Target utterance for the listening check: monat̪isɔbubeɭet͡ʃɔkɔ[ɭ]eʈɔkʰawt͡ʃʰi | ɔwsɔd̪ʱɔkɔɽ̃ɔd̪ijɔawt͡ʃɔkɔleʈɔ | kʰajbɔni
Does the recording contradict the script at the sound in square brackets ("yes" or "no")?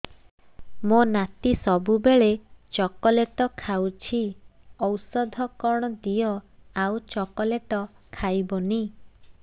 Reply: yes